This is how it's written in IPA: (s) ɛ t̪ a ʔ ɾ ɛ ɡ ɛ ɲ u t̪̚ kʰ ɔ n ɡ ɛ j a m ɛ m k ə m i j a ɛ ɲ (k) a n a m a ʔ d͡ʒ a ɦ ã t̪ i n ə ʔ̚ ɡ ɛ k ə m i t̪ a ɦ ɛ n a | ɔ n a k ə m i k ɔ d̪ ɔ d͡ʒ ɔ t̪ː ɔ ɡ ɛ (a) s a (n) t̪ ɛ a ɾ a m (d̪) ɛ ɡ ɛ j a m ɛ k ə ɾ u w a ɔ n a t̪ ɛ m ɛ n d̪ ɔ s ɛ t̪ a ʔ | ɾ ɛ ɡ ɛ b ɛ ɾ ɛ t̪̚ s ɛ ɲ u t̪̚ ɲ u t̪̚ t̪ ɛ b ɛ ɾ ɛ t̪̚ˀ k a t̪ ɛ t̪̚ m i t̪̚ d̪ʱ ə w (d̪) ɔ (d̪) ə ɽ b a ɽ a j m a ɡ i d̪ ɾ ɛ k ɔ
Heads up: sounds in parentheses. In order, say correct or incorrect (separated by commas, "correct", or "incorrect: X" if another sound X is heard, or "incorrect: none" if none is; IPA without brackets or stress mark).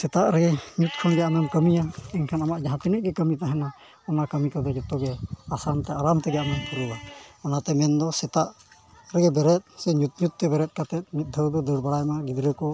correct, incorrect: kʰ, correct, correct, incorrect: t̪, correct, correct